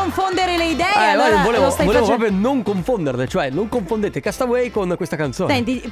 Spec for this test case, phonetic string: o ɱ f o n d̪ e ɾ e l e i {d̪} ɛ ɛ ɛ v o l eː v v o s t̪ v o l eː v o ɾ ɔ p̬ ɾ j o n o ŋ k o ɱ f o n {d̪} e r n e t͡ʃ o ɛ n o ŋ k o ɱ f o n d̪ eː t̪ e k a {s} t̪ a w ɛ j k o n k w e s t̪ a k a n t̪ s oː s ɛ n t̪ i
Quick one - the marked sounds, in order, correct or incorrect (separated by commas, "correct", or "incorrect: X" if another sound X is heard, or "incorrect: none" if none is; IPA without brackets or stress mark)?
correct, correct, correct